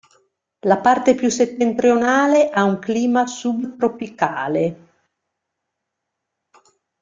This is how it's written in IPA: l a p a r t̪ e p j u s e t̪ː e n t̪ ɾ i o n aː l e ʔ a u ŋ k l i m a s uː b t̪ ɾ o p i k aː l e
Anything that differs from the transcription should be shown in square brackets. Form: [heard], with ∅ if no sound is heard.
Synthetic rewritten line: l a p a r t̪ e p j u s e t̪ː e n t̪ ɾ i o n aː l e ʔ a u ŋ k l [iː] m a s [u] b t̪ ɾ o p i k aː l e